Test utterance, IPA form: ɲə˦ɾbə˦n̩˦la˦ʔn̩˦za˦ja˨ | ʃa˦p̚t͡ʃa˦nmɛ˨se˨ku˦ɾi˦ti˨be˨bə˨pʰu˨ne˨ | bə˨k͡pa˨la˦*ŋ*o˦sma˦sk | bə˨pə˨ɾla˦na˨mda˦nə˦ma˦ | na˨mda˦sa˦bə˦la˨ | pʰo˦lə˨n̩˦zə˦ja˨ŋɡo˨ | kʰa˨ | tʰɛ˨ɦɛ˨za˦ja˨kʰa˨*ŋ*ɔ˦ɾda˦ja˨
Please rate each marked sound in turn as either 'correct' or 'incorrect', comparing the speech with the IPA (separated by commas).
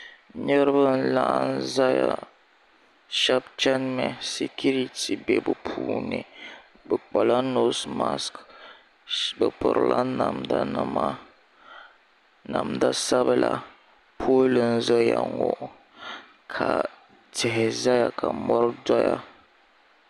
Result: incorrect, incorrect